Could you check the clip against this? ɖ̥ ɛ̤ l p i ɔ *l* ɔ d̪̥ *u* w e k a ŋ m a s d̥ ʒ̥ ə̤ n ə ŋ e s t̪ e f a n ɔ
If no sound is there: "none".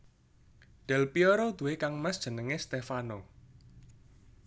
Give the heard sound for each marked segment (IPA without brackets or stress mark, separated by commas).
ɾ, u